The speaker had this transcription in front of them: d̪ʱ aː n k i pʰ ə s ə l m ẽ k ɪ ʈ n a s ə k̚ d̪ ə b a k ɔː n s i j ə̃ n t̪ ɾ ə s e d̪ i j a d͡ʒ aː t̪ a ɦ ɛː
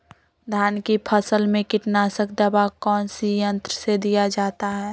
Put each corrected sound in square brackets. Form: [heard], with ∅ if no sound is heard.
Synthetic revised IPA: d̪ʱ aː n k i pʰ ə s ə l m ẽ k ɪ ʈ n a s ə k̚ d̪ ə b a k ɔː n s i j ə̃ n t̪ ɾ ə s e d̪ i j a d͡ʒ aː t̪ a ɦ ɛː